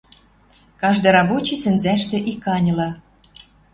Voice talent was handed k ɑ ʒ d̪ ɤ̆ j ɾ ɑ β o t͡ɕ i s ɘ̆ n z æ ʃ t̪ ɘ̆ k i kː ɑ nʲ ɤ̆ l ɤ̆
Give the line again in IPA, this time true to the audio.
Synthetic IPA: k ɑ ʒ d̪ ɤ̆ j ɾ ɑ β o t͡ɕ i s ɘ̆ n z æ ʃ t̪ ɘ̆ ʔ i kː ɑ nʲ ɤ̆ l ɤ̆